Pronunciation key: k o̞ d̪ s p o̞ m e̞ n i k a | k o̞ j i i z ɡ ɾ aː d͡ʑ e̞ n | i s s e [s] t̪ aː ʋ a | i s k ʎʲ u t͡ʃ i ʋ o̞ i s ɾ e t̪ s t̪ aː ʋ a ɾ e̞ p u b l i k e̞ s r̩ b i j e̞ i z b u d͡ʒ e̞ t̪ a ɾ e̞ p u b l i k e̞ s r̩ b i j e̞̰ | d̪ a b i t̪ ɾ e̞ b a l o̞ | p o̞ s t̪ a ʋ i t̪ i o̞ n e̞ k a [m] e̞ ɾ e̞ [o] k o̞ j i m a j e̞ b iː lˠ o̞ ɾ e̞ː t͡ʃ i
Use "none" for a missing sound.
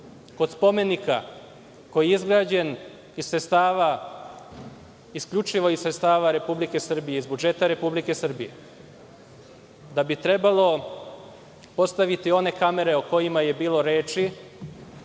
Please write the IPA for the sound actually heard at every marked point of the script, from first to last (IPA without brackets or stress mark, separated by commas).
s, m, o